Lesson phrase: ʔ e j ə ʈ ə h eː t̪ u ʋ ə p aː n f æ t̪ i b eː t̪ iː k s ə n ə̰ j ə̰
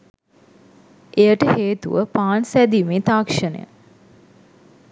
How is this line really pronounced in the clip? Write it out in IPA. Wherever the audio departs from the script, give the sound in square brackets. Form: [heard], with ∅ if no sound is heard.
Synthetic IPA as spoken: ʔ e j ə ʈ ə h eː t̪ u ʋ ə p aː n [s] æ [d̪] i [m] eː t̪ [aː] k [ʂ] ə n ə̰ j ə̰